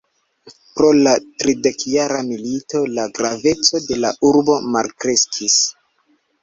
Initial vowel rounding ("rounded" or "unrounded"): rounded